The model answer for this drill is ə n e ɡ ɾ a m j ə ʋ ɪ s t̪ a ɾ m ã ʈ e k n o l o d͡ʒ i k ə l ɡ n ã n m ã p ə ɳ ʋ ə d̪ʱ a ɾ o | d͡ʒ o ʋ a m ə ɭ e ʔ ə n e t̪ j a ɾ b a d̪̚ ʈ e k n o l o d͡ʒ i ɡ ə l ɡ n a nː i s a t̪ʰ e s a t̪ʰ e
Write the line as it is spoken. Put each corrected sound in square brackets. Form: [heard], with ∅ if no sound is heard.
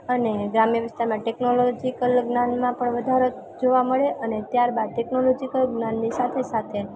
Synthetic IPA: ə n e ɡ ɾ a m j ə ʋ ɪ s t̪ a ɾ m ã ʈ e k n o l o d͡ʒ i k ə l ɡ n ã n m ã p ə ɳ ʋ ə d̪ʱ a ɾ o | d͡ʒ o ʋ a m ə ɭ e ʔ ə n e t̪ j a ɾ b a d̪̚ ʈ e k n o l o d͡ʒ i [k] ə l ɡ n a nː i s a t̪ʰ e s a t̪ʰ e